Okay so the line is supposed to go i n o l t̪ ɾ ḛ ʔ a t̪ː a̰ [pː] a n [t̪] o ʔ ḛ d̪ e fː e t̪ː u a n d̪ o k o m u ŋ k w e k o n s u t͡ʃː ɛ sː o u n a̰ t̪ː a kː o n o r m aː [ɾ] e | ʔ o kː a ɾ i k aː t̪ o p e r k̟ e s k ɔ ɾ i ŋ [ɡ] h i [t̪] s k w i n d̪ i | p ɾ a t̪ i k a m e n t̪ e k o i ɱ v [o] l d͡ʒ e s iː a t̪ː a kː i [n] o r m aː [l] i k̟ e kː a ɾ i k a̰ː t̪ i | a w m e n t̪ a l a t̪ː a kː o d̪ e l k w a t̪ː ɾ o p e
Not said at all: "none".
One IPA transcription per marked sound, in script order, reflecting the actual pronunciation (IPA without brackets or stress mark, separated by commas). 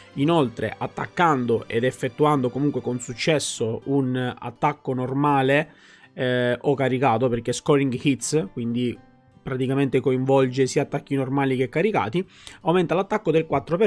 kː, d̪, l, ɡ, t̪, ɔ, n, l